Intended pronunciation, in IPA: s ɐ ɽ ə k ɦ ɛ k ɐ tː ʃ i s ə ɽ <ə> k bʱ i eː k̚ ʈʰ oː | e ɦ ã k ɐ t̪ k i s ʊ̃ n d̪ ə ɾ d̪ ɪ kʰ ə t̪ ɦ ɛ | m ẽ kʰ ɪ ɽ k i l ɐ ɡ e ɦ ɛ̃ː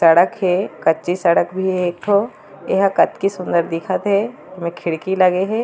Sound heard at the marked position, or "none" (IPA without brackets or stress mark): ə